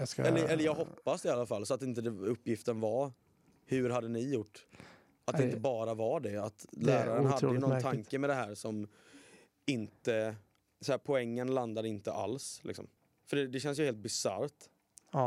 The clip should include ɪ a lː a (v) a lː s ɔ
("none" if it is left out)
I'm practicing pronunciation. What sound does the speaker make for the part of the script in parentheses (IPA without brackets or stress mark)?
f